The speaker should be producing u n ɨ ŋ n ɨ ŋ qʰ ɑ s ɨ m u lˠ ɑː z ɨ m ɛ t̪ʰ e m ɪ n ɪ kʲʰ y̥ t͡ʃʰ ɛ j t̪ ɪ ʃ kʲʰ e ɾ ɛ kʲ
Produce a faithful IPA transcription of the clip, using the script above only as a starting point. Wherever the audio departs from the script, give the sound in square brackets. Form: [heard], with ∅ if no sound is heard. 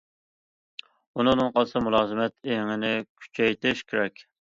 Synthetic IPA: u n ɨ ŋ n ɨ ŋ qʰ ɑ s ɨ m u lˠ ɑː z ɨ m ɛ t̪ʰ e [ŋ] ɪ n ɪ kʲʰ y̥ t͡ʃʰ ɛ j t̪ ɪ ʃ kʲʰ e ɾ ɛ kʲ